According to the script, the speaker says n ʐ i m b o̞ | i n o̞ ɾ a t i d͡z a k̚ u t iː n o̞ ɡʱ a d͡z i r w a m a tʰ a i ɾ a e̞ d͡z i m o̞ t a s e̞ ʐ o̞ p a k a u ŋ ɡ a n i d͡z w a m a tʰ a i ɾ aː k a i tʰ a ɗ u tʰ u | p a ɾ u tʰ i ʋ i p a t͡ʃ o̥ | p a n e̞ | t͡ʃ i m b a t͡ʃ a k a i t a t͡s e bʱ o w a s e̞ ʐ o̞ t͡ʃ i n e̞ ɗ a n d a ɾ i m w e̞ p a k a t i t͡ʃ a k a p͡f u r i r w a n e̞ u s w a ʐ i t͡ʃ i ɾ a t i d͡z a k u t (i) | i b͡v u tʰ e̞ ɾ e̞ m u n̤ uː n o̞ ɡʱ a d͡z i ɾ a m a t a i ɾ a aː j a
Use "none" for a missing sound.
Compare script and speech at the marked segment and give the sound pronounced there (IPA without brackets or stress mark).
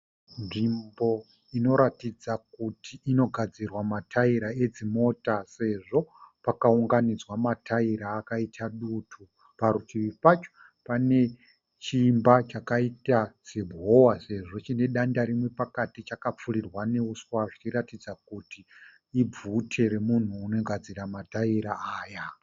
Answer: i